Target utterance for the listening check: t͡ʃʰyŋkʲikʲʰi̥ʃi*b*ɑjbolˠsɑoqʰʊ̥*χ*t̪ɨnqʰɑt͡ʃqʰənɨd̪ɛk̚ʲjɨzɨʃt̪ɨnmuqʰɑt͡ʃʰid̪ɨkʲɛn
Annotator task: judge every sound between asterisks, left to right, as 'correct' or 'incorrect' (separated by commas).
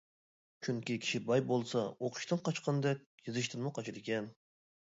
correct, incorrect